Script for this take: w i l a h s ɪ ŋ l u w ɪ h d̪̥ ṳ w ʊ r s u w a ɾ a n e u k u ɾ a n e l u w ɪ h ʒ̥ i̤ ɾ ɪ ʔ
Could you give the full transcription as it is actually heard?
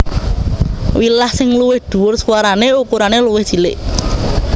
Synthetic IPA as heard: w i l a h s ɪ ŋ l u w ɪ h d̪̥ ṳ w ʊ r s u w a ɾ a n e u k u ɾ a n e l u w ɪ h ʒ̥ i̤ l ɪ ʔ